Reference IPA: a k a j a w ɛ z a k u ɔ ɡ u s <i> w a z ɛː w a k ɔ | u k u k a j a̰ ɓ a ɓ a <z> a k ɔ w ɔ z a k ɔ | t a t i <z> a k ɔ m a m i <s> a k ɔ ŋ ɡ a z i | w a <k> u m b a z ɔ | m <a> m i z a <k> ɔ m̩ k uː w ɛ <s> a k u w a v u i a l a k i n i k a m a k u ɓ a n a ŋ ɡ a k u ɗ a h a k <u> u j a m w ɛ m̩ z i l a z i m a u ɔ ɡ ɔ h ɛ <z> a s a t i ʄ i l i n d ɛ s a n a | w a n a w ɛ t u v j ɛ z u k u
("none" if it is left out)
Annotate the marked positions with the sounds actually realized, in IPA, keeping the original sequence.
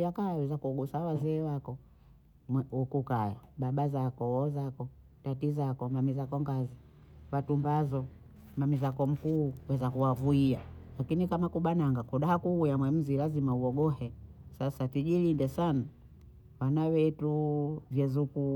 a, z, z, z, t, a, k, z, u, s

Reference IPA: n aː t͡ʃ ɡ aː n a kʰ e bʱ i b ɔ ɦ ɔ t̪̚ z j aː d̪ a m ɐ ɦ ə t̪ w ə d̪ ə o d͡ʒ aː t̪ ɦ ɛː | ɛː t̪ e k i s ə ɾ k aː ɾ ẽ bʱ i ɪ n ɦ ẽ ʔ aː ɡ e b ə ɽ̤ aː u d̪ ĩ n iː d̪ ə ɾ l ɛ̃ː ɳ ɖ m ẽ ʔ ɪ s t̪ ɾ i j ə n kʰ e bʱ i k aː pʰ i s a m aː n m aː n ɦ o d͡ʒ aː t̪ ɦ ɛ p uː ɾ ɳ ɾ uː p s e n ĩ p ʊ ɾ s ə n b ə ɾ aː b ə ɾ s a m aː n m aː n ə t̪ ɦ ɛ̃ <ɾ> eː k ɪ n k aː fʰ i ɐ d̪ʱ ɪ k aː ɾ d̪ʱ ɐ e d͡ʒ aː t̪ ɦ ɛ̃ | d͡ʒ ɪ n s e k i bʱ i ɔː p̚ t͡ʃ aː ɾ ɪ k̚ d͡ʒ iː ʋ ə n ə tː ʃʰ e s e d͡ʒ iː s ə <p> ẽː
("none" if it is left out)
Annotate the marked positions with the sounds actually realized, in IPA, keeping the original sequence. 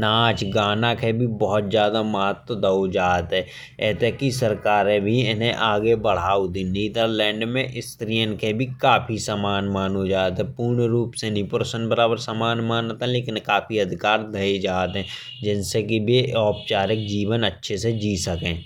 l, k

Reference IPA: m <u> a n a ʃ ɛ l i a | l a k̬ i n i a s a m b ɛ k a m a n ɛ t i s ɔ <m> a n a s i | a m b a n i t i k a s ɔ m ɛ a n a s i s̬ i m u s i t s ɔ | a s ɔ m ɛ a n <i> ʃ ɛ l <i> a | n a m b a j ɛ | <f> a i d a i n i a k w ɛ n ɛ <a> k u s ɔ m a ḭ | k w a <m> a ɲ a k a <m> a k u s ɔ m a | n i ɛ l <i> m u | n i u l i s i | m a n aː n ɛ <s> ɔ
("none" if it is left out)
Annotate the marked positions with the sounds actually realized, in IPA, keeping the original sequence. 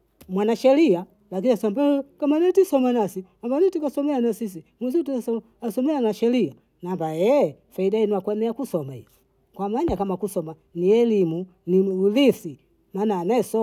w, m, a, i, f, a, m, m, i, s

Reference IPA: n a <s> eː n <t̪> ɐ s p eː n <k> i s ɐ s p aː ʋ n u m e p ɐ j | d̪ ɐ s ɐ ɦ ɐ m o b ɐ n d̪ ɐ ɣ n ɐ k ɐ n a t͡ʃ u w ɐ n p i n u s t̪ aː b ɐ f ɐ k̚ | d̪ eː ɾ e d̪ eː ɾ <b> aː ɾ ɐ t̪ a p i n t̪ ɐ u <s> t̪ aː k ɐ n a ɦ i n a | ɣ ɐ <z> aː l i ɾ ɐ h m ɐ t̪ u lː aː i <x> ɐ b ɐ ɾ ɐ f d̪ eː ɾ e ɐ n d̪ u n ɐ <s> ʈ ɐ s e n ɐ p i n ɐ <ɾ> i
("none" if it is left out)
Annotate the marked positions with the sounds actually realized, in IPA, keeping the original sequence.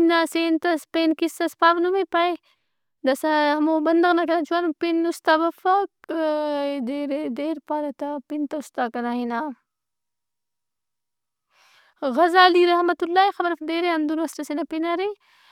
s, t̪, k, p, s, z, x, s, ɾ

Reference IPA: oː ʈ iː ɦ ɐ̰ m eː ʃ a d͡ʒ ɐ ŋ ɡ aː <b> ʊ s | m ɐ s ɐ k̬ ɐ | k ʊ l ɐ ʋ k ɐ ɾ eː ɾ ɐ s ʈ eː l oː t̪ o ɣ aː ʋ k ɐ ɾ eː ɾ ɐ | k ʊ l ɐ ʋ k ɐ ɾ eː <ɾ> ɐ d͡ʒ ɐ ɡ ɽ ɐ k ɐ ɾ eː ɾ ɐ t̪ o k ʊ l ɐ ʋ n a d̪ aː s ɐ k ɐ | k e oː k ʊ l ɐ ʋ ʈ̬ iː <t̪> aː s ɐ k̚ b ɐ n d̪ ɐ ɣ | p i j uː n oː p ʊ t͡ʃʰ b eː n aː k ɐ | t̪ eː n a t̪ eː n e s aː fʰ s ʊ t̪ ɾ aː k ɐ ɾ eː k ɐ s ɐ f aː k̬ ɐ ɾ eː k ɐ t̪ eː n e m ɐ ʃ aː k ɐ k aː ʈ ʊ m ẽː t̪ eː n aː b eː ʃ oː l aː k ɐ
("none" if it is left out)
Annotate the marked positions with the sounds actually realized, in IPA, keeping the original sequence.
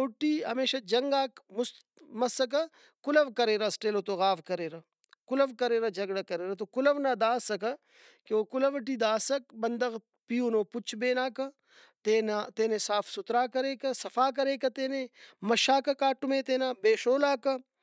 m, ɾ, d̪

